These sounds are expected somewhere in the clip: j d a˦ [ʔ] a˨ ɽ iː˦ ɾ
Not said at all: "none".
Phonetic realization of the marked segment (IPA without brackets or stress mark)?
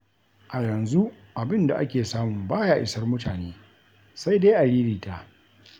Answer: ʔ